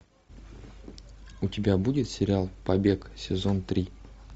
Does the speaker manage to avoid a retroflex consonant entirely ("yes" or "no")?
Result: yes